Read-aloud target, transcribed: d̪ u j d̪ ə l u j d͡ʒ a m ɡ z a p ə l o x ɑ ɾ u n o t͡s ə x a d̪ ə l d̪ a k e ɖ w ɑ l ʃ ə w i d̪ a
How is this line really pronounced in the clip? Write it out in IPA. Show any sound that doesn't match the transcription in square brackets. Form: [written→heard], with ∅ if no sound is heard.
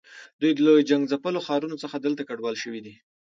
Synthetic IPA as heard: d̪ u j d̪ ə l [u→o] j d͡ʒ a [m→ŋ] ɡ z a p ə l o x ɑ ɾ u n o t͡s ə x a d̪ ə l [d̪→t̪] a k [e→a] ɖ w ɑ l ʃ ə w i d̪ [a→i]